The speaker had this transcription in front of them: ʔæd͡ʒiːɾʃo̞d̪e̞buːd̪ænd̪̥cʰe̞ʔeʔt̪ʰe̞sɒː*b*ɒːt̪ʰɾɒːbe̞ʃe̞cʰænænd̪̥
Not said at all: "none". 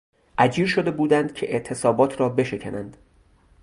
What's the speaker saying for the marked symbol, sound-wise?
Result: b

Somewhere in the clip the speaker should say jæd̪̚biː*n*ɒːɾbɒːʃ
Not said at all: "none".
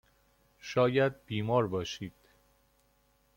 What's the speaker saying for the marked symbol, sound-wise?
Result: m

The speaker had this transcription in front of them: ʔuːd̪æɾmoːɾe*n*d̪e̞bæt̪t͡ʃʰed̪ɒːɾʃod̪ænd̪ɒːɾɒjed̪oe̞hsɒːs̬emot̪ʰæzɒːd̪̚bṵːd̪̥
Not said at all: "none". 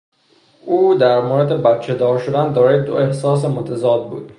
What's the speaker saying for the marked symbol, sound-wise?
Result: none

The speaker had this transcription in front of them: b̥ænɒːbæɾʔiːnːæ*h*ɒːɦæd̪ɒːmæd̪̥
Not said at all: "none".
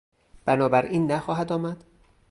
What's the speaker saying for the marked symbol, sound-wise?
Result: x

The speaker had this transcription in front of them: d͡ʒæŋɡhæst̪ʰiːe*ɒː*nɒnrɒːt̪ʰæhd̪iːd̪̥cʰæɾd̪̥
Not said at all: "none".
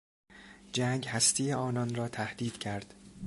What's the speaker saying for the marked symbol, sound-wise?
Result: ɒː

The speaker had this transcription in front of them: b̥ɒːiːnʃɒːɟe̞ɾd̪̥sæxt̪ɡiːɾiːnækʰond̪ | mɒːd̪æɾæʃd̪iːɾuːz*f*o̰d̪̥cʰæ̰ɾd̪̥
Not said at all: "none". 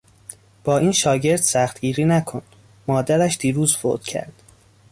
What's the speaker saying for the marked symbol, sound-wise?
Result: f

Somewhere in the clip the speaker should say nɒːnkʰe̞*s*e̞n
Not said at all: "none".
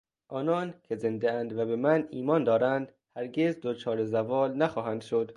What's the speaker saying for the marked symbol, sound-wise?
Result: z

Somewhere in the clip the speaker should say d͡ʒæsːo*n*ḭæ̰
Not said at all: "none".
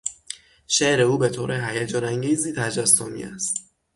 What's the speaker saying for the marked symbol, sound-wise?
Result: m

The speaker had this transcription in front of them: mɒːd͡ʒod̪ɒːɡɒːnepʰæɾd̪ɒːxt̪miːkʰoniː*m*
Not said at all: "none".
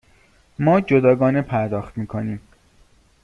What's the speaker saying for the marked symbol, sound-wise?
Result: m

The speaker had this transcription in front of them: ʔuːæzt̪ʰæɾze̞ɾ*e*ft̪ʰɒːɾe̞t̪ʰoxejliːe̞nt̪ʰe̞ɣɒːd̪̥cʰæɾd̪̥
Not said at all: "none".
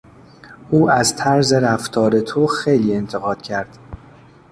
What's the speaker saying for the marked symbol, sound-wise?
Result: æ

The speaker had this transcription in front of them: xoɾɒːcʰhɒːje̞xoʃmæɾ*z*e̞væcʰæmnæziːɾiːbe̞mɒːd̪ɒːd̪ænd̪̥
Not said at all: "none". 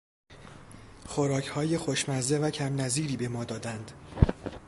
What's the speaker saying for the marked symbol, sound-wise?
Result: z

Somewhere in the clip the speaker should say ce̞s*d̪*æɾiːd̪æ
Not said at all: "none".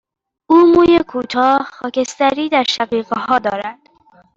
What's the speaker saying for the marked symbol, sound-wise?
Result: t̪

